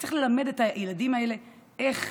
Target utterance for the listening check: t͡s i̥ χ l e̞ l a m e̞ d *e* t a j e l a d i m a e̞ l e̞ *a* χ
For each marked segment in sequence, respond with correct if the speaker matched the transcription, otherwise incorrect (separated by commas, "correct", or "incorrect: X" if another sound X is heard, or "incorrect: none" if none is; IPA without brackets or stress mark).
correct, incorrect: e